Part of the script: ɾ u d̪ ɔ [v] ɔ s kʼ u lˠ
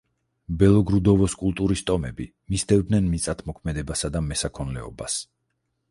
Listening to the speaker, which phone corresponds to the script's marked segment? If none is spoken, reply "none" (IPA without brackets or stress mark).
v